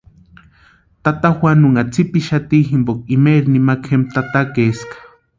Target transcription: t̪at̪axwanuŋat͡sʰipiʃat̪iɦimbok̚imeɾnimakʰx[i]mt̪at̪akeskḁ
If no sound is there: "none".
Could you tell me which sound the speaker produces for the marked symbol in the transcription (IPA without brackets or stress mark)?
e